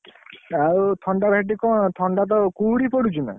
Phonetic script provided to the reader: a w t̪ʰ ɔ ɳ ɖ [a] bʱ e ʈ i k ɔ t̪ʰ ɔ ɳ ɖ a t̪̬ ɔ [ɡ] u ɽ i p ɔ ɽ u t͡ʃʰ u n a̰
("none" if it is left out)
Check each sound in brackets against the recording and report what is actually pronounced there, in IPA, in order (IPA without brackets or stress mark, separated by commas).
a, k